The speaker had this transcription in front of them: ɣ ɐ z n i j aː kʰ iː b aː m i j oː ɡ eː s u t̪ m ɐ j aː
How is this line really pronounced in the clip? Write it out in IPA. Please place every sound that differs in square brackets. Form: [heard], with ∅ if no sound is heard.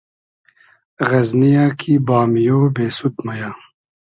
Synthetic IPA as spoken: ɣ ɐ z n i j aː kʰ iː b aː m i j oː [b] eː s u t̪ m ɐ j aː